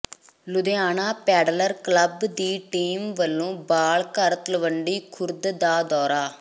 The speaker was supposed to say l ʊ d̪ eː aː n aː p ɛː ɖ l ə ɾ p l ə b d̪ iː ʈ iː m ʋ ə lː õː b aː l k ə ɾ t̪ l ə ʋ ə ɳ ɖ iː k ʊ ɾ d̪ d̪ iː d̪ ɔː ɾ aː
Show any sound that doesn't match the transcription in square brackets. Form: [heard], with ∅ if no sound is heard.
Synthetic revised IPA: l ʊ d̪ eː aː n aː p ɛː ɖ l ə ɾ [k] l ə b d̪ iː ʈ iː m ʋ ə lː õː b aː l k ə ɾ t̪ l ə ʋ ə ɳ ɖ iː [kʰ] ʊ ɾ d̪ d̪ [aː] d̪ ɔː ɾ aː